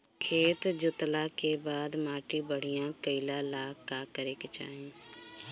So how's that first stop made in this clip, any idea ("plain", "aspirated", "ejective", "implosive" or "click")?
aspirated